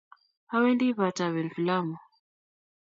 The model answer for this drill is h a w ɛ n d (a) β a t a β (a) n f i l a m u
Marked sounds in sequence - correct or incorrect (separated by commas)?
incorrect, incorrect